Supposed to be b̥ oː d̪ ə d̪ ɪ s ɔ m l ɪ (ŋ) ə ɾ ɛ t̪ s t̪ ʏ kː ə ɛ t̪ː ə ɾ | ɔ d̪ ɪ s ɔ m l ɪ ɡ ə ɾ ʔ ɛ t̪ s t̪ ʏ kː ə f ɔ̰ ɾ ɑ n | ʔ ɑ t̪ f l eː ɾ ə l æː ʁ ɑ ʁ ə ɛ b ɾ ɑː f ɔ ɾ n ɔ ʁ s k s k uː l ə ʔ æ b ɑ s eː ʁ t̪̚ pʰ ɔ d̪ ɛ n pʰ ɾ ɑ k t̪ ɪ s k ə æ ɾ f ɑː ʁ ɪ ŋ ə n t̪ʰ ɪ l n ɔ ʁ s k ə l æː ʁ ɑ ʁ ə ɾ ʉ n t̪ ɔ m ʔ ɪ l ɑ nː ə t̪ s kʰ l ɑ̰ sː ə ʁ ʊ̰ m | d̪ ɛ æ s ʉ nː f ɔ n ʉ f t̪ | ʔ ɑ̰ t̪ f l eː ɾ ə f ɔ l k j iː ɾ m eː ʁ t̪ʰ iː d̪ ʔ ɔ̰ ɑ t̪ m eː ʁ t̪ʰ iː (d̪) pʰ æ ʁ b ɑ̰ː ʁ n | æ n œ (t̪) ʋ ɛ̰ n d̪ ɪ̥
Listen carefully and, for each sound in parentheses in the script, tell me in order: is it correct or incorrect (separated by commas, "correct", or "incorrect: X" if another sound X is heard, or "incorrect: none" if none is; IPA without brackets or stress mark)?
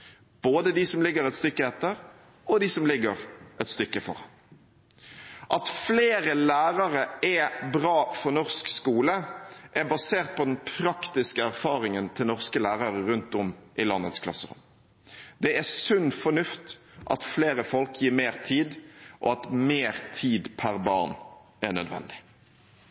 incorrect: ɡ, correct, incorrect: d̪